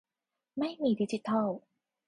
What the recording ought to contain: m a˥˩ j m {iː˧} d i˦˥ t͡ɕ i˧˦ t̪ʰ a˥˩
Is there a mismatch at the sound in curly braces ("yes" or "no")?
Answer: no